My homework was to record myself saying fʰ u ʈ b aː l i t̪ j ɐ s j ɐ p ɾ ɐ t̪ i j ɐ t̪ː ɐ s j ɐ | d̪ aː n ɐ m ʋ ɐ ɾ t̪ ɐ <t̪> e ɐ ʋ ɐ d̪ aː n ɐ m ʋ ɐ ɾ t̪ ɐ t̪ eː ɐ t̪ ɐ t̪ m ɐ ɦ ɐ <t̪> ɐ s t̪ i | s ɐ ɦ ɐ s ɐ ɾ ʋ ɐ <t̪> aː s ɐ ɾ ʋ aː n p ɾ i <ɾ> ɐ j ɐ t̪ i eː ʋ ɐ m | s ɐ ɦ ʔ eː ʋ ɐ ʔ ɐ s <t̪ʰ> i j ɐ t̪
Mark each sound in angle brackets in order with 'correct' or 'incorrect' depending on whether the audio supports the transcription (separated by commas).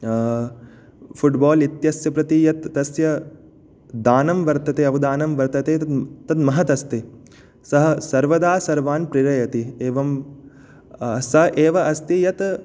correct, correct, incorrect, correct, incorrect